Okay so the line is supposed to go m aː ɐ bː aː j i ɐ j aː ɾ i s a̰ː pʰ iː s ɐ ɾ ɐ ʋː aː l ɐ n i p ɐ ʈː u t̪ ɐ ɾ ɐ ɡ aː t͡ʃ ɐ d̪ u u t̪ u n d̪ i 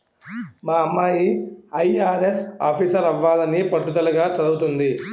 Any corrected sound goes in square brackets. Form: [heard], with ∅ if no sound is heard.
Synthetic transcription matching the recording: m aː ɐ [mː] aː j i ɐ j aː ɾ [e] s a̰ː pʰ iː s ɐ ɾ ɐ ʋː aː l ɐ n i p ɐ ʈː u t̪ ɐ [l] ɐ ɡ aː t͡ʃ ɐ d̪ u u t̪ u n d̪ i